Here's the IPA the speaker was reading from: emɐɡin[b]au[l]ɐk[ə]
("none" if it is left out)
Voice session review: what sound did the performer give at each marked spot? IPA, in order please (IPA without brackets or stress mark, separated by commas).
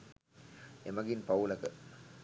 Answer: p, l, ə